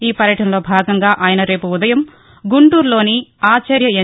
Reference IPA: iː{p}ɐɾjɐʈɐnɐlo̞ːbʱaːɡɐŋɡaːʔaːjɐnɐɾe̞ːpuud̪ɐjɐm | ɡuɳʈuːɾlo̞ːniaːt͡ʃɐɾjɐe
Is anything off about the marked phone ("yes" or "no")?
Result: no